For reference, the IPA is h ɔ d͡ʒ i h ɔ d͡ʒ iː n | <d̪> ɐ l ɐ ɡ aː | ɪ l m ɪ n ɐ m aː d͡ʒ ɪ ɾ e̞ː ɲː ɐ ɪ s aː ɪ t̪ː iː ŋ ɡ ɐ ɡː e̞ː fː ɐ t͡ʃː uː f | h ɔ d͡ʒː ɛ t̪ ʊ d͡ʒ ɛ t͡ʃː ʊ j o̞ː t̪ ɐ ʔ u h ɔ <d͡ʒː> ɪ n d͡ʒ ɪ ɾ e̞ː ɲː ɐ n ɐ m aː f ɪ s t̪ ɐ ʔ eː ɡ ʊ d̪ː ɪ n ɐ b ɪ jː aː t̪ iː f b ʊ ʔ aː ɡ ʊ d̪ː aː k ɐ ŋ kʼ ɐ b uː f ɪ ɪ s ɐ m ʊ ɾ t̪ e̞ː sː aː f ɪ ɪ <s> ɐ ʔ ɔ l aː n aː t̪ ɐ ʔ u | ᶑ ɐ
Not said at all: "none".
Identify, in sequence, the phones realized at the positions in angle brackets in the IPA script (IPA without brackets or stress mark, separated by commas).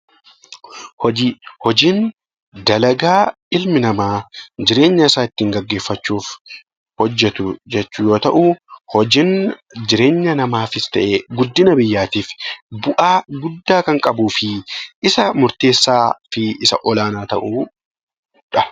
d̪, d͡ʒ, s